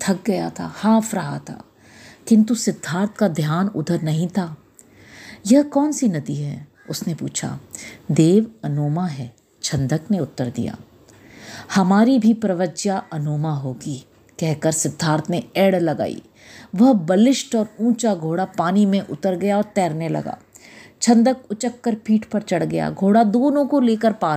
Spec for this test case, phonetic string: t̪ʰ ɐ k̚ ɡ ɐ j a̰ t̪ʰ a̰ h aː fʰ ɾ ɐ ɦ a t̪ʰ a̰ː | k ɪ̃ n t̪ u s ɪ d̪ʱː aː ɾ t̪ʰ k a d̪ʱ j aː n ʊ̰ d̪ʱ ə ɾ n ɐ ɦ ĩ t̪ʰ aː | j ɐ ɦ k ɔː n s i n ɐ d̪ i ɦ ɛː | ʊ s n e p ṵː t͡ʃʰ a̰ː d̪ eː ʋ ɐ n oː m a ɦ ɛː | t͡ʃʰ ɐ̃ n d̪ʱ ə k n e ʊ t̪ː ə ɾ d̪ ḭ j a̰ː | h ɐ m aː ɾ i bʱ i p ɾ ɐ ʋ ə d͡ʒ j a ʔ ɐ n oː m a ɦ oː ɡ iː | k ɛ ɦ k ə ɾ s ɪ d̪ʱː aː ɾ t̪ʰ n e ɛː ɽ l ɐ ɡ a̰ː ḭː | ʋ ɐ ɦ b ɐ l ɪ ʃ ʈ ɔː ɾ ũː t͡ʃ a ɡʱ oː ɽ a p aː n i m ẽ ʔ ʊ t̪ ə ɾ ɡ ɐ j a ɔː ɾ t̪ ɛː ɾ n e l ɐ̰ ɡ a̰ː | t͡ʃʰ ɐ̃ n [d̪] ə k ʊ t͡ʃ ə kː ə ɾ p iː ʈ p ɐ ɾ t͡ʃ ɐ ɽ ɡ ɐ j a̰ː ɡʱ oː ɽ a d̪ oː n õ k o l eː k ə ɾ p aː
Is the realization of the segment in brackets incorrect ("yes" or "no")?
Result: no